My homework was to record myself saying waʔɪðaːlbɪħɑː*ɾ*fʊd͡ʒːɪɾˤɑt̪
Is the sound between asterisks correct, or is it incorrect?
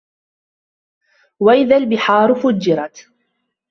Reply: correct